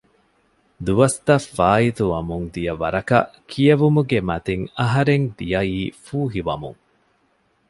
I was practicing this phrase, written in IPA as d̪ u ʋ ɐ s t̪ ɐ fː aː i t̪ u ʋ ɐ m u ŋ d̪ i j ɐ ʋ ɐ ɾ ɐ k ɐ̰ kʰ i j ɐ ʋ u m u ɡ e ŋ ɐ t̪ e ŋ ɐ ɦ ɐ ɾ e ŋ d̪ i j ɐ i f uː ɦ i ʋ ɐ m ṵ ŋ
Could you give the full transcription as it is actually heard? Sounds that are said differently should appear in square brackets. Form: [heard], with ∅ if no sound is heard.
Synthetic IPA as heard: d̪ u ʋ ɐ s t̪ ɐ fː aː i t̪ u ʋ ɐ m u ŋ d̪ i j ɐ ʋ ɐ ɾ ɐ k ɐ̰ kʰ i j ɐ ʋ u m u ɡ e [m] ɐ t̪ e ŋ ɐ ɦ ɐ ɾ e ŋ d̪ i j ɐ [iː] f uː ɦ i ʋ ɐ m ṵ ŋ